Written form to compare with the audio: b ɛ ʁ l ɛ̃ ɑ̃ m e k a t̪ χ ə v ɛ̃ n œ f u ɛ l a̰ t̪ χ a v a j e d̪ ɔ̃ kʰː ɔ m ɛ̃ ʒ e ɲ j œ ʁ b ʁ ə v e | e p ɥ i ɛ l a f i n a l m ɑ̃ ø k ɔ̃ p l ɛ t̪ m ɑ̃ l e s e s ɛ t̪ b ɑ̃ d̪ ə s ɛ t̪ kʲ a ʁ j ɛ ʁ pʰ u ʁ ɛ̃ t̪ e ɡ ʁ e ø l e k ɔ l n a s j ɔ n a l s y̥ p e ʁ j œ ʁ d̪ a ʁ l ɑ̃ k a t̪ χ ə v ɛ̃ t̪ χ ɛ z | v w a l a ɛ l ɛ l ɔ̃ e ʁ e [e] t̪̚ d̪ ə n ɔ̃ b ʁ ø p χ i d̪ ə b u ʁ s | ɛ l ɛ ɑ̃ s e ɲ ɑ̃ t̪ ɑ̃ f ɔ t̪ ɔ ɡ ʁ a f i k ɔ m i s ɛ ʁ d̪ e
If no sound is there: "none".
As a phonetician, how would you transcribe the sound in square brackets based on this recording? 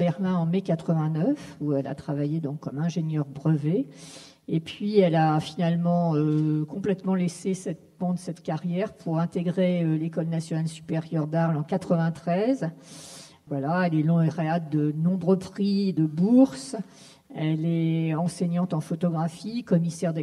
a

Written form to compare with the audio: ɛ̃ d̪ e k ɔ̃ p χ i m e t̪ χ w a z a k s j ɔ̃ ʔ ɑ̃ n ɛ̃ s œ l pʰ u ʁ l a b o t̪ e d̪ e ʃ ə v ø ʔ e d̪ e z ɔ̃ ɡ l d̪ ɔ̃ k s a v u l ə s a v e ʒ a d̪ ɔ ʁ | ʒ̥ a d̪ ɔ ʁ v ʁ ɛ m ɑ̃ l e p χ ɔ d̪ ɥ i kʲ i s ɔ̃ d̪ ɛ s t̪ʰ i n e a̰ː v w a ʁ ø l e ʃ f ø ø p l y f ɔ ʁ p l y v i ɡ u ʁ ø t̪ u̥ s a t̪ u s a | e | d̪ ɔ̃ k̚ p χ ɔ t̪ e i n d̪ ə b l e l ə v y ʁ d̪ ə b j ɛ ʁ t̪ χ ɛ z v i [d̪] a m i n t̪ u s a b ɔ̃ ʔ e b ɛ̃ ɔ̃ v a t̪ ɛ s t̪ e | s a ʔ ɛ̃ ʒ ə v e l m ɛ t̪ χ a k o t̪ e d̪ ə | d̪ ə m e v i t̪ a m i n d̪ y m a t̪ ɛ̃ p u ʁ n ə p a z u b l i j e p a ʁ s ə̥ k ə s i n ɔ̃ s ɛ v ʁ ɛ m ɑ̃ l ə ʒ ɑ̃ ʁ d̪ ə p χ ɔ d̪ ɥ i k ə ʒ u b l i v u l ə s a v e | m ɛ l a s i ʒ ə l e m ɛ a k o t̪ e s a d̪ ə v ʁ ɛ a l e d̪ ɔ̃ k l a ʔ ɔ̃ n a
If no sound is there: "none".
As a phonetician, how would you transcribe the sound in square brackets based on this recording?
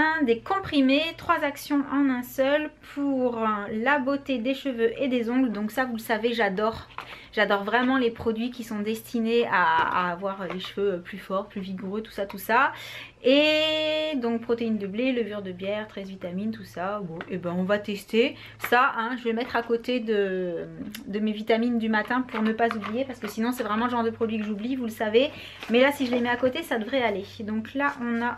t̪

